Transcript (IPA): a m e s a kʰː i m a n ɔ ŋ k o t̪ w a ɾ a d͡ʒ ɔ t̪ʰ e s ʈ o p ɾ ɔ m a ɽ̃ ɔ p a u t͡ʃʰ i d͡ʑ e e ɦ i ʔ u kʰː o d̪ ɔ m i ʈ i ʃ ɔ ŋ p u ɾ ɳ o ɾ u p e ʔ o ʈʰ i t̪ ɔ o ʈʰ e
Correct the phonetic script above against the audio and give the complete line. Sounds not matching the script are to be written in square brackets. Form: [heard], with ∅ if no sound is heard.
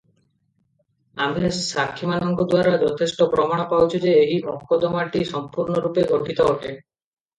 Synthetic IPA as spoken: a m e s a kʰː i m a n ɔ ŋ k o [d̪] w a ɾ a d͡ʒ ɔ t̪ʰ e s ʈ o p ɾ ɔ m a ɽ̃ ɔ p a [w] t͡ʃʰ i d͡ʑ e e ɦ i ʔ [ɔ] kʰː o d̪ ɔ m [a] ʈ i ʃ ɔ [m] p u ɾ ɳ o ɾ u p e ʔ o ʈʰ i t̪ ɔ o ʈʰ e